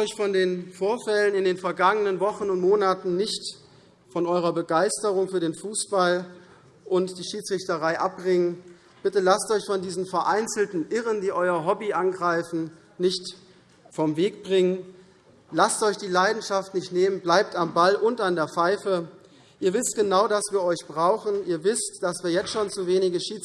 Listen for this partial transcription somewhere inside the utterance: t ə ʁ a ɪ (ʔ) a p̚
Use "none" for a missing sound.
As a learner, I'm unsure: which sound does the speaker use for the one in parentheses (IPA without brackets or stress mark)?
ʔ